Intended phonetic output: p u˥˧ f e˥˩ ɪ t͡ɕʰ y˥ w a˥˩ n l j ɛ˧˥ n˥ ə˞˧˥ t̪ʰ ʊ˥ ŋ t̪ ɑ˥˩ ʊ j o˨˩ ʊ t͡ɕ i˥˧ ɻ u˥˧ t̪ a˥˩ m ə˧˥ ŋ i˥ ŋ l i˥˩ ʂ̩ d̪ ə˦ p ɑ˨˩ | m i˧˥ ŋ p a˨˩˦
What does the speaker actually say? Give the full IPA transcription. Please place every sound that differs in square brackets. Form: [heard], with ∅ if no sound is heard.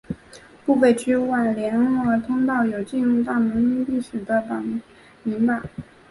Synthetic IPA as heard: p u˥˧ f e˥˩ ɪ t͡ɕʰ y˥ w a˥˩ n l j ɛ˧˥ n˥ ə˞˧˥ t̪ʰ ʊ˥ ŋ t̪ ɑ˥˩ ʊ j o˨˩ ʊ t͡ɕ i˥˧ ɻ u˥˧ t̪ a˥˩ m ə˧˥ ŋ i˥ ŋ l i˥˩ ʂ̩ d̪ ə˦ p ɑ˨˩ | m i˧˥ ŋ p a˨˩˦